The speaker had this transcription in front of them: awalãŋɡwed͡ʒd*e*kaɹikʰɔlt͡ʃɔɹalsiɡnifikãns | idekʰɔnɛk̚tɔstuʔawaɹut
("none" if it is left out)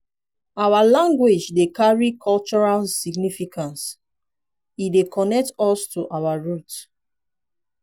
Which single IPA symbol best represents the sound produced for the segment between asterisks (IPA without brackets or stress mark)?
e